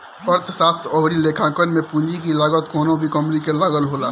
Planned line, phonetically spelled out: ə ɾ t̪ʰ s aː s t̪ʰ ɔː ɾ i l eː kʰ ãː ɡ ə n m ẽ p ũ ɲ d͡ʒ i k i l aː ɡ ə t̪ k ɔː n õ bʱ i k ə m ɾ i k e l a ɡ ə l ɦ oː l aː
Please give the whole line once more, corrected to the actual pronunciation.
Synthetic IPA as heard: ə ɾ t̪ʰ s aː s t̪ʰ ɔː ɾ i l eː kʰ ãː k ə n m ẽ p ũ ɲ d͡ʒ i k i l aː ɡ ə t̪ k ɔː n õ bʱ i k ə m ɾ i k e l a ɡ ə l ɦ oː l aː